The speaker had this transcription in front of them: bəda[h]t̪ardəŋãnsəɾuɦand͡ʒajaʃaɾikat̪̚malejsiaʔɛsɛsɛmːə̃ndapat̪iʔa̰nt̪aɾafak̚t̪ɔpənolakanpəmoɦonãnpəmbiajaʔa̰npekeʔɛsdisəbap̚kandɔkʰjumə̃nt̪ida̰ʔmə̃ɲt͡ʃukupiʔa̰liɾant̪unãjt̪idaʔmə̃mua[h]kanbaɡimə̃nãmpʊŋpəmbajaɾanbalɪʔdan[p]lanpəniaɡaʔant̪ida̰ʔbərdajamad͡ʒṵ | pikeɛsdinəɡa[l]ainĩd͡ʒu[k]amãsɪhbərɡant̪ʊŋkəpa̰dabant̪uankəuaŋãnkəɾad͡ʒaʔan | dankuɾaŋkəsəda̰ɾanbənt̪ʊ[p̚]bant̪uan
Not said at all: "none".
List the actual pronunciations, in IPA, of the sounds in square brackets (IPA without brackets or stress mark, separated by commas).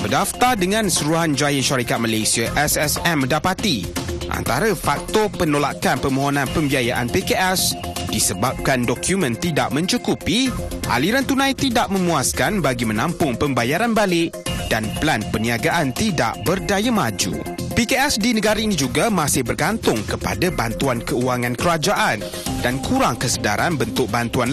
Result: f, s, p, ɾ, ɡ, k̚